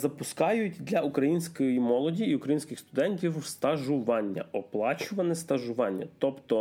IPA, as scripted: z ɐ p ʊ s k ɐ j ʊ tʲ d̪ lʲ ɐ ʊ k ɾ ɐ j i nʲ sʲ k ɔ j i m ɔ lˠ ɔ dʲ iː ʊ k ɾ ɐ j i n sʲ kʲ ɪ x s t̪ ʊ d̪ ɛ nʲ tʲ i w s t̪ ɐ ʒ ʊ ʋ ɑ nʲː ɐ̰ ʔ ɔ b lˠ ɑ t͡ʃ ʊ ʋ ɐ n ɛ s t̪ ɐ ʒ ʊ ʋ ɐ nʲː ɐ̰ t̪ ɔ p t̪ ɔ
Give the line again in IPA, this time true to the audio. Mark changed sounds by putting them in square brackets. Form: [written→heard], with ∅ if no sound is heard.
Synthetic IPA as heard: z ɐ p ʊ s k [ɐ→ɑ] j ʊ tʲ d̪ lʲ ɐ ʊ k ɾ ɐ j i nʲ sʲ k ɔ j i m ɔ lˠ ɔ dʲ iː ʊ k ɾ ɐ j i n sʲ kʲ ɪ x s t̪ ʊ d̪ ɛ nʲ tʲ i w s t̪ ɐ ʒ ʊ ʋ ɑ nʲː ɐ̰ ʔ ɔ [b→p] lˠ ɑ t͡ʃ ʊ ʋ ɐ n ɛ s t̪ ɐ ʒ ʊ ʋ [ɐ→ɑ] nʲː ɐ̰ t̪ ɔ p t̪ ɔ